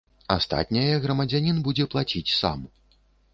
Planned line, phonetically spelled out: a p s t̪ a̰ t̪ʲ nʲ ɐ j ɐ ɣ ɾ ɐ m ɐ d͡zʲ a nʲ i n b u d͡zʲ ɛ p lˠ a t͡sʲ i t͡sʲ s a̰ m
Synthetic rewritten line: a s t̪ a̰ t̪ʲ nʲ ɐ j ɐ ɣ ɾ ɐ m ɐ d͡zʲ a nʲ i n b u d͡zʲ ɛ p lˠ a t͡sʲ i t͡sʲ s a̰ m